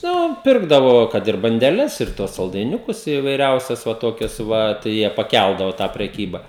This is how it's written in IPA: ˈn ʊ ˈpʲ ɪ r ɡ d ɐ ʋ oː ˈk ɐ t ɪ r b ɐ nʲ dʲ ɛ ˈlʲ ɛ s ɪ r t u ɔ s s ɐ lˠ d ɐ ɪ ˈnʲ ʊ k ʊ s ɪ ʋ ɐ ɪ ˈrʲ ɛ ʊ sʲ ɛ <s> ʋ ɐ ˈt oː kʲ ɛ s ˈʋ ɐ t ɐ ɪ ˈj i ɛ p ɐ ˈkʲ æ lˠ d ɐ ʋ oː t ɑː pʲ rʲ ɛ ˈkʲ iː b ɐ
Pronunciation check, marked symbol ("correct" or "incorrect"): correct